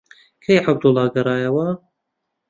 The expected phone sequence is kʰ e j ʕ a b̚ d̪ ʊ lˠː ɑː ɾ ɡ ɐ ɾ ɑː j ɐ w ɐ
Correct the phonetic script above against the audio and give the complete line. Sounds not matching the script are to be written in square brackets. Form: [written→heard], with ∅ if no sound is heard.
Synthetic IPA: kʰ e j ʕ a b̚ d̪ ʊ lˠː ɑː [ɾ→∅] ɡ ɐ ɾ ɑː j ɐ w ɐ